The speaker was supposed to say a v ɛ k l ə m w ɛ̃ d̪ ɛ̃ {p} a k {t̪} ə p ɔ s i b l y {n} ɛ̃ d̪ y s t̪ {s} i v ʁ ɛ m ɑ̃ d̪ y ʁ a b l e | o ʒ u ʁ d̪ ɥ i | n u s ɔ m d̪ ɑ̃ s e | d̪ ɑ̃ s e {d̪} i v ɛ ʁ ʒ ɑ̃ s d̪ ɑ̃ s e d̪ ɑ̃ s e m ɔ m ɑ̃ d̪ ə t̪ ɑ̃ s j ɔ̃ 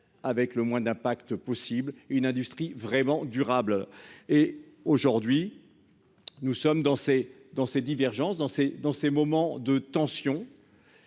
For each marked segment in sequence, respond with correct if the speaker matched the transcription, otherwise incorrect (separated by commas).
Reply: correct, correct, correct, incorrect, correct